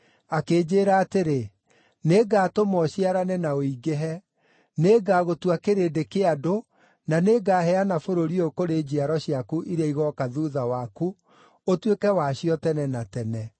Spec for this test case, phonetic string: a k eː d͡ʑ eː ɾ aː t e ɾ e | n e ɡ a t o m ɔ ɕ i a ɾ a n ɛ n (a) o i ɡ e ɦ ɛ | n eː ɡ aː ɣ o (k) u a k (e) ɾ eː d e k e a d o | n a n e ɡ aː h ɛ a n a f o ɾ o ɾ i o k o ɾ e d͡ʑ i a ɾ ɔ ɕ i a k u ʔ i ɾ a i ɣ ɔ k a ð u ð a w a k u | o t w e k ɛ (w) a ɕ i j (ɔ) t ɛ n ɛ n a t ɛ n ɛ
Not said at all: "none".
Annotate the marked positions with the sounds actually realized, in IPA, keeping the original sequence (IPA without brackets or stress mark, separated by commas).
a, t, e, w, ɔ